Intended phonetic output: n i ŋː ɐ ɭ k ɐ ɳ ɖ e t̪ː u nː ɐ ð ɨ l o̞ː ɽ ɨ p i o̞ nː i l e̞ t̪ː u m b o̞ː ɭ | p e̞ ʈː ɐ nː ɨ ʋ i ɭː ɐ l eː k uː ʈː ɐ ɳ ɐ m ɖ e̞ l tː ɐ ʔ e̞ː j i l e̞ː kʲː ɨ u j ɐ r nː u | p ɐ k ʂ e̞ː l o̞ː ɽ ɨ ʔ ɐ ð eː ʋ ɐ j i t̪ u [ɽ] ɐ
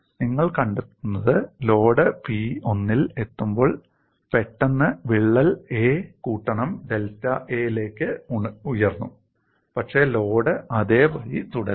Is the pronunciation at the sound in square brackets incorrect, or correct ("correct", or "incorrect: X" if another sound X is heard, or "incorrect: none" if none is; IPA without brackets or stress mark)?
correct